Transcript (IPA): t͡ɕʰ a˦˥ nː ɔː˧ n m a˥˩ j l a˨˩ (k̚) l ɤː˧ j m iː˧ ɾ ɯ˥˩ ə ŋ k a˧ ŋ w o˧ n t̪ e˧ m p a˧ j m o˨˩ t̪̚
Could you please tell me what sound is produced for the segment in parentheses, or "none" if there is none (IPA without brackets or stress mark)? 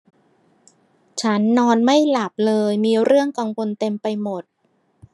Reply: p̚